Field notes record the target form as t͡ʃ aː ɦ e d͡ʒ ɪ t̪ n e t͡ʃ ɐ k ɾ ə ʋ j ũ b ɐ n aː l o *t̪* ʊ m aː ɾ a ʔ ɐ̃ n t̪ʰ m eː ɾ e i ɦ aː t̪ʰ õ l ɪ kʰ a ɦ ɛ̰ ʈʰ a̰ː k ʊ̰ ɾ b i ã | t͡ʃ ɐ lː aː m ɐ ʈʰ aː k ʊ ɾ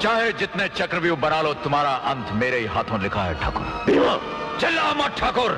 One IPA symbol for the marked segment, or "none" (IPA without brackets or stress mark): t̪